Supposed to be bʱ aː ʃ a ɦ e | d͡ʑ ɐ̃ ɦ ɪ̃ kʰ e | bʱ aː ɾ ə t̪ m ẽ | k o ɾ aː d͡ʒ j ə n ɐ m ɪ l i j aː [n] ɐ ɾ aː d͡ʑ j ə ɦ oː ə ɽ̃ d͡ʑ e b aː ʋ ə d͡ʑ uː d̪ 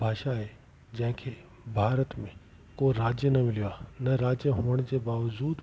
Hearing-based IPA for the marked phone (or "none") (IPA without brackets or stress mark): n